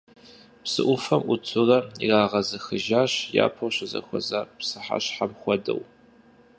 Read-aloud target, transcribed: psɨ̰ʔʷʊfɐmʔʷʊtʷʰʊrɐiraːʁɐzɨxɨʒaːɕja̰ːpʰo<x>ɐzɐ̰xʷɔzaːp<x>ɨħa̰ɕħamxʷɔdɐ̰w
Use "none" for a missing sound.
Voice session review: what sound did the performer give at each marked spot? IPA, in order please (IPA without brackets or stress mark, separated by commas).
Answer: ɕ, s